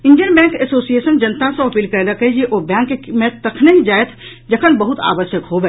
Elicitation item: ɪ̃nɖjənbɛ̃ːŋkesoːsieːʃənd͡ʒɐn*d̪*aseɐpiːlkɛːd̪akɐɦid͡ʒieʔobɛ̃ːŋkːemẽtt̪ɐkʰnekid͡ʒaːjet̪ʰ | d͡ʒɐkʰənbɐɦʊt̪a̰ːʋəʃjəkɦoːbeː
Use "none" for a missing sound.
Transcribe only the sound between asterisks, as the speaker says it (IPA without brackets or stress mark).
t̪